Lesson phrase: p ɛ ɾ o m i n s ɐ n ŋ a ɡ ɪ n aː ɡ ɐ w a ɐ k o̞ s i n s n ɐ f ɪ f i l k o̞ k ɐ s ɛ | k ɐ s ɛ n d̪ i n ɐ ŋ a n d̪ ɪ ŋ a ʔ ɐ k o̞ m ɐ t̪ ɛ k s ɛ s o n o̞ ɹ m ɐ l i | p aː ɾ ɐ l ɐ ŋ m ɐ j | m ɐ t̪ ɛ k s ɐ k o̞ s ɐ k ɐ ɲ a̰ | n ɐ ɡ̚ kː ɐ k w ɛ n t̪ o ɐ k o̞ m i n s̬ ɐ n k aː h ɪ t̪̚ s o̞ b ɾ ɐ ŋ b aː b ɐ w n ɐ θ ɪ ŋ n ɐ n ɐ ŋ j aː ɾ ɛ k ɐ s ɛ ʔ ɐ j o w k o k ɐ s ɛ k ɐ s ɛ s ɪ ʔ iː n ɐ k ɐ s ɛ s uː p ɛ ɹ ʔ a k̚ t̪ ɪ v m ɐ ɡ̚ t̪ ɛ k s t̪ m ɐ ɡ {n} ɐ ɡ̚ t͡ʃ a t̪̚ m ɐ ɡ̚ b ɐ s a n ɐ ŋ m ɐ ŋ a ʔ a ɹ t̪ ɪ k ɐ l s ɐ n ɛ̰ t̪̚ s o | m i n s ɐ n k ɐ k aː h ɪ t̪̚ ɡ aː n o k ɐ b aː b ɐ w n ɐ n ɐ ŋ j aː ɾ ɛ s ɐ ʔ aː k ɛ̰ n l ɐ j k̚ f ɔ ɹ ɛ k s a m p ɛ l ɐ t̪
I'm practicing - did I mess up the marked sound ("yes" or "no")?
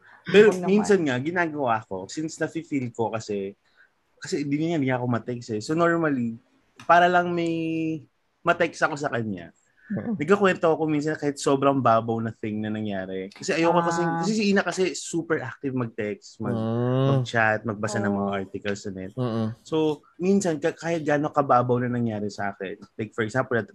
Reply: yes